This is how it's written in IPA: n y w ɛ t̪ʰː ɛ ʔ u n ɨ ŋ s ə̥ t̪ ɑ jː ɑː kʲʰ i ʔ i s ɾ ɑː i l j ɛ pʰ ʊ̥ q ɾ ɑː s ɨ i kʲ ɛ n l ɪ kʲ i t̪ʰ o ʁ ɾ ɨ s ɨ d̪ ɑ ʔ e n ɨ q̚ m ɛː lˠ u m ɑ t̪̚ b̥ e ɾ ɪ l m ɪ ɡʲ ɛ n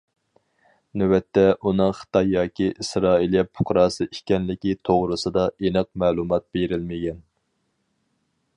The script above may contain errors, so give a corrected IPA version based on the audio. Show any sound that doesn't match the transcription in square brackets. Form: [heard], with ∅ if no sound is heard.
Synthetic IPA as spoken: n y w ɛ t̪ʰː ɛ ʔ u n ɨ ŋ [χ] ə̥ t̪ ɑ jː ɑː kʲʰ i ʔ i s ɾ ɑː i l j ɛ pʰ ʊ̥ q ɾ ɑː s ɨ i kʲ ɛ n l ɪ kʲ i t̪ʰ o ʁ ɾ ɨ s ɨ d̪ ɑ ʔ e n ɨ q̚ m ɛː lˠ u m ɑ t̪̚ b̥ e ɾ ɪ l m ɪ ɡʲ ɛ n